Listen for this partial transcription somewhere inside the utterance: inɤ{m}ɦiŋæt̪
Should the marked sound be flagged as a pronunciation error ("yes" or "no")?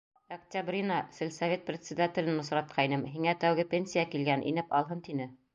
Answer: no